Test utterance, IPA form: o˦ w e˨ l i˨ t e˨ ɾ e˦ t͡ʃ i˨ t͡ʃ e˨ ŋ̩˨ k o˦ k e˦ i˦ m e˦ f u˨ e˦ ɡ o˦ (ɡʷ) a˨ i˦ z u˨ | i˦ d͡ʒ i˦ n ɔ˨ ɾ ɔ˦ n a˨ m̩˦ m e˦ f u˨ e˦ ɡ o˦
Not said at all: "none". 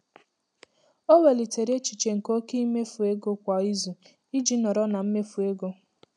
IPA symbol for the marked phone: kʷ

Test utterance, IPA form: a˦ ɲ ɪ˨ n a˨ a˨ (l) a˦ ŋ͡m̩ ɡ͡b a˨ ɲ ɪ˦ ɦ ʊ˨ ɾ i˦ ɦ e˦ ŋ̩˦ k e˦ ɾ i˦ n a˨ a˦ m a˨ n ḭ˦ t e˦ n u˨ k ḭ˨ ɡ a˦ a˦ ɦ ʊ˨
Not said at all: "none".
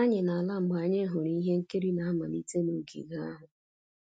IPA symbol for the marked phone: l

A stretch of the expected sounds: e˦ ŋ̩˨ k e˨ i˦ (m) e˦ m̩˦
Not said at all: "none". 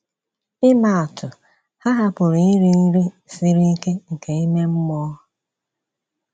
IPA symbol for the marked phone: m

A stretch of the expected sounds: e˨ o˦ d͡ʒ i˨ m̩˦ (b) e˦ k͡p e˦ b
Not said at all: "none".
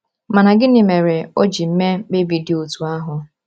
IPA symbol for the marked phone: m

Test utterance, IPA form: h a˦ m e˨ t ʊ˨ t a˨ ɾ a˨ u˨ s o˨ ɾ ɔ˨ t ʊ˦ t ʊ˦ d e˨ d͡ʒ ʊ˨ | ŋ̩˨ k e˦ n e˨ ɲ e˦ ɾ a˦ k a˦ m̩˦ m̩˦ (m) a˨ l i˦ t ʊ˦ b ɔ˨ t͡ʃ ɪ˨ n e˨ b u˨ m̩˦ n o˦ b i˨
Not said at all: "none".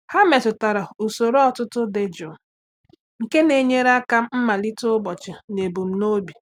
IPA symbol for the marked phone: m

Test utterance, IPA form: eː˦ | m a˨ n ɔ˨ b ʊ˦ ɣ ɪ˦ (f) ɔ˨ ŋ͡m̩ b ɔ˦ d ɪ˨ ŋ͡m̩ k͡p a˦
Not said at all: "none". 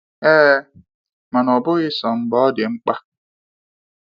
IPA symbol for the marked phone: s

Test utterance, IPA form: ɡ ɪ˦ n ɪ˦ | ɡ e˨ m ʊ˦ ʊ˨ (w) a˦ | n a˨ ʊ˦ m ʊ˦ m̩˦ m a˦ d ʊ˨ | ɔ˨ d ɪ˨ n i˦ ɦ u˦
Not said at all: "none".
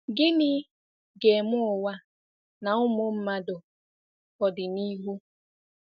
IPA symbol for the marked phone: w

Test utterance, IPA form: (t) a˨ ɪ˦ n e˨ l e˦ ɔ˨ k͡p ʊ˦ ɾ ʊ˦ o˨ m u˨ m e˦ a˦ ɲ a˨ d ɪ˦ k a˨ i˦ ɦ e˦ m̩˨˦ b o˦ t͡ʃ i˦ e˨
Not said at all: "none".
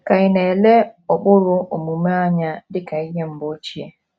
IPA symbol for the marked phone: k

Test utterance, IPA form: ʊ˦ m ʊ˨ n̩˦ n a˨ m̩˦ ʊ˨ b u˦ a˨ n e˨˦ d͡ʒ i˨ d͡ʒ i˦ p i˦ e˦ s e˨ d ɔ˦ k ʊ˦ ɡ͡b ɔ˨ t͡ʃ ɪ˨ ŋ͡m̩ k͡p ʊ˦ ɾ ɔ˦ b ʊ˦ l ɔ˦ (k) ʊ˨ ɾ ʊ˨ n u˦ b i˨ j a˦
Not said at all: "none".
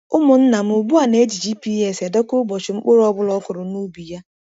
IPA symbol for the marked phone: k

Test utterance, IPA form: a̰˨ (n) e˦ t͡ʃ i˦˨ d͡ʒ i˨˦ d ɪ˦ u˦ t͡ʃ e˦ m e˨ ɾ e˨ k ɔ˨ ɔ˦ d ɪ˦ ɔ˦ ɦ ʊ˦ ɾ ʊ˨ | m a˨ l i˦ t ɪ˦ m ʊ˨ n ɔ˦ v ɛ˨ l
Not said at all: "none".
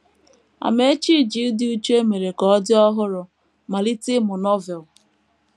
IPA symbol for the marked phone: m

